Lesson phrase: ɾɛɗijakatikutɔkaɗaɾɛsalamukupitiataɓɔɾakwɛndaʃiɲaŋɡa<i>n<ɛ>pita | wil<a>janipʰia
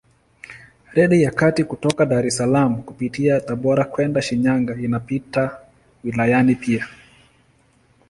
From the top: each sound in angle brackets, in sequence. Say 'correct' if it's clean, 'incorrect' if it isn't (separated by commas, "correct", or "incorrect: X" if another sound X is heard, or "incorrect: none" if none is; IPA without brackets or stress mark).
correct, incorrect: a, correct